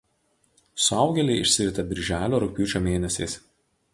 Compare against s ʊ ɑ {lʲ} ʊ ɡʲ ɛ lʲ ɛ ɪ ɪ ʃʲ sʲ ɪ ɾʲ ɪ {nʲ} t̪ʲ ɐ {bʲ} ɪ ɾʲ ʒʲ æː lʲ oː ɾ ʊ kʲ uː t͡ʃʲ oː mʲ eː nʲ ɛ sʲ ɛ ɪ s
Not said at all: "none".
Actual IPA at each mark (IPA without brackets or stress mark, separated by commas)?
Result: none, none, bʲ